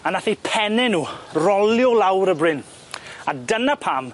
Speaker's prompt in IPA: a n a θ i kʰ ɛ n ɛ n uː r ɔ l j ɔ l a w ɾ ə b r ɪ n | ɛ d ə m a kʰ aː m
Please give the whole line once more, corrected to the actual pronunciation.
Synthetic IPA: a n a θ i pʰ ɛ n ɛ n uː r ɔ l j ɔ l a w ɾ ə b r ɪ n | a d ə n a pʰ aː m